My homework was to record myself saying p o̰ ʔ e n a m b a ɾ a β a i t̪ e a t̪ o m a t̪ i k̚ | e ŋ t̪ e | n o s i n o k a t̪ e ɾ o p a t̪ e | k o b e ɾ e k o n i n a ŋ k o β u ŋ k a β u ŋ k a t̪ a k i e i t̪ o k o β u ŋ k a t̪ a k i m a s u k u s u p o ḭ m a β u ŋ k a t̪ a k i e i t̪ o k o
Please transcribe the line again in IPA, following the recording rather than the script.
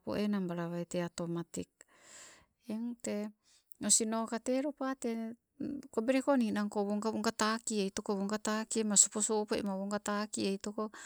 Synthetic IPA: p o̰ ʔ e n a m b a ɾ a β a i t̪ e a t̪ o m a t̪ i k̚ | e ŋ t̪ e | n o s i n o k a t̪ e ɾ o p a t̪ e | k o b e ɾ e k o n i n a ŋ k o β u ŋ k a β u ŋ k a t̪ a k i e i t̪ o k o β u ŋ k a t̪ a k i m a s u p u s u p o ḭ m a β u ŋ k a t̪ a k i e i t̪ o k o